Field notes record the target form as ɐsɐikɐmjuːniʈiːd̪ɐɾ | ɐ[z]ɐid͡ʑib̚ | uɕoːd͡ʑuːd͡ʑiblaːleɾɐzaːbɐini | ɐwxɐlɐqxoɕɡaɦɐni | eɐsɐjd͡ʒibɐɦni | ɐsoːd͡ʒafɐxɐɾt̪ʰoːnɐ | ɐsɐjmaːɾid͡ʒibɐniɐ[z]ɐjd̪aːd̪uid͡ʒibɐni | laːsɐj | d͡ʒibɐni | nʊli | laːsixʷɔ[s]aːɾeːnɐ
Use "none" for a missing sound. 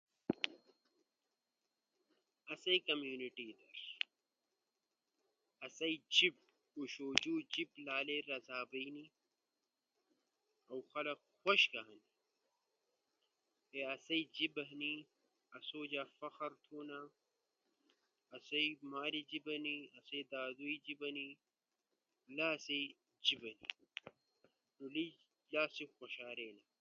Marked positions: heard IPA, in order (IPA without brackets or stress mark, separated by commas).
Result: s, s, ʃ